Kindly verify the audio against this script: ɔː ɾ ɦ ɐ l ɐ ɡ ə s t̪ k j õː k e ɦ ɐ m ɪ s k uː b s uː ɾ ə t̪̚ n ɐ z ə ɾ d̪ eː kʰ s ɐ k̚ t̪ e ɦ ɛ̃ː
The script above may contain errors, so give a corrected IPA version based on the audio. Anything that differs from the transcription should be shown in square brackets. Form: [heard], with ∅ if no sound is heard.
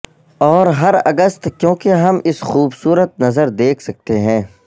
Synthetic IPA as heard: ɔː ɾ ɦ ɐ [ɾ] ɐ ɡ ə s t̪ k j õː k e ɦ ɐ m ɪ s [x] uː b s uː ɾ ə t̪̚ n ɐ z ə ɾ d̪ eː kʰ s ɐ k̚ t̪ e ɦ ɛ̃ː